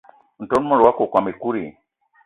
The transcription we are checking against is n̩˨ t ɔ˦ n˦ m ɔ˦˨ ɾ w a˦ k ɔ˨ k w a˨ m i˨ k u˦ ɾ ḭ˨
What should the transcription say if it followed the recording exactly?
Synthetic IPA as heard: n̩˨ t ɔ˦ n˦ m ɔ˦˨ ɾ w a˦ k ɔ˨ k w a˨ m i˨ k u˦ ɾ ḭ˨